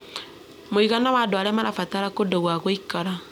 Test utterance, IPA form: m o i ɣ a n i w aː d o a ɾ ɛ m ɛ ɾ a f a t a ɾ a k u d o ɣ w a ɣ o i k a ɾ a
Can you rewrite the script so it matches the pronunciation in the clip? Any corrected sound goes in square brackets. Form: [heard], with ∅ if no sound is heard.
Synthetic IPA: m o i ɣ a n [a] w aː d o a ɾ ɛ m [a] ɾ a f a t a ɾ a k [o] d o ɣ w a ɣ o i k a ɾ a